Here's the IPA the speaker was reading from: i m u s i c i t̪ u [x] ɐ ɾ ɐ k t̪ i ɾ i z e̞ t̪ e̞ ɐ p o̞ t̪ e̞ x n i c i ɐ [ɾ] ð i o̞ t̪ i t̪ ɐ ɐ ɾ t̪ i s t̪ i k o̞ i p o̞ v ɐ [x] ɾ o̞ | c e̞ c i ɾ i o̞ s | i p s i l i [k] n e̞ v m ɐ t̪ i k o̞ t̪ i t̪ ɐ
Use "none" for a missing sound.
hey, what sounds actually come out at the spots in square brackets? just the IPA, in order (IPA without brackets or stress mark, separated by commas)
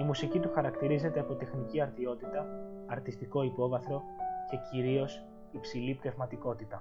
x, ɾ, θ, p